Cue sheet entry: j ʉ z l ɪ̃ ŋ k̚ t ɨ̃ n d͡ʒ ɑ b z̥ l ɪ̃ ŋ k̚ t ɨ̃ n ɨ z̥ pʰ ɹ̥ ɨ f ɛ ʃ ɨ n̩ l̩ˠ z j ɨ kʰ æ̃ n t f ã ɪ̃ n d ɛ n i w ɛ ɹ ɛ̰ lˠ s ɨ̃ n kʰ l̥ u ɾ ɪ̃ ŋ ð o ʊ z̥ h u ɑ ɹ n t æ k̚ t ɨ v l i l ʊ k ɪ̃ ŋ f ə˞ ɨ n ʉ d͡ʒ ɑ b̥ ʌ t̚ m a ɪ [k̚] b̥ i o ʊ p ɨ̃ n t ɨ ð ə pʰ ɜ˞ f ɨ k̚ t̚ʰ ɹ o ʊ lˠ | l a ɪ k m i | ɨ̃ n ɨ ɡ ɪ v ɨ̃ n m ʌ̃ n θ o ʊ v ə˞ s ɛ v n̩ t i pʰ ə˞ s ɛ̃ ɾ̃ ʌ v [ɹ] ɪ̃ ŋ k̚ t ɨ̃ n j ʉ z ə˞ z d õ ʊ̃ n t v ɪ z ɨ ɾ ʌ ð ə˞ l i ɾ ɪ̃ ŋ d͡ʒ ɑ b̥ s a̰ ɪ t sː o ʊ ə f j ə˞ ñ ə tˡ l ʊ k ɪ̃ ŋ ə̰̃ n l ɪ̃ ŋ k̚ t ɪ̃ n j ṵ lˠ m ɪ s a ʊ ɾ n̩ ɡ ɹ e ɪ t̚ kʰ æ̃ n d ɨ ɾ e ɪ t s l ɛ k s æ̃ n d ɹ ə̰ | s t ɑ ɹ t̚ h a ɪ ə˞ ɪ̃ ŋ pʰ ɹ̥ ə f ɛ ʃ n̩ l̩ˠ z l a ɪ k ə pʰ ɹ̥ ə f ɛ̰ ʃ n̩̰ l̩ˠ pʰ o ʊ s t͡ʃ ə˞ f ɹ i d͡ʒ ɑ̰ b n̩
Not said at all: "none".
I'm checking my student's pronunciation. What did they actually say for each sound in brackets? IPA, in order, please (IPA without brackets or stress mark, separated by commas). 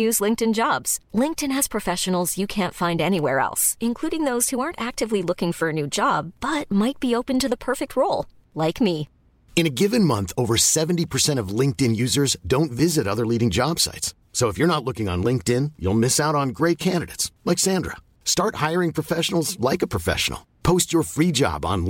t̚, l